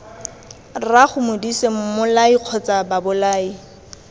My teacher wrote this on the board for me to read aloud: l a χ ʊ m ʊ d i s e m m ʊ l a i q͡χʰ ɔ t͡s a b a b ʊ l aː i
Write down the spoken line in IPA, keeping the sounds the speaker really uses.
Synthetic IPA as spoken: r a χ ʊ m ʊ d i s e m m ʊ l a i q͡χʰ ɔ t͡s a b a b ʊ l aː i